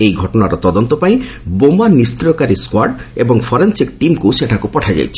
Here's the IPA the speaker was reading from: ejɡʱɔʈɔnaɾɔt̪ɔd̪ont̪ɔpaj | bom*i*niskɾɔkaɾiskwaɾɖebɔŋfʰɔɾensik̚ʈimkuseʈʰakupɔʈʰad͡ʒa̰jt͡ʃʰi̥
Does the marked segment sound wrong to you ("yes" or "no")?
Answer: yes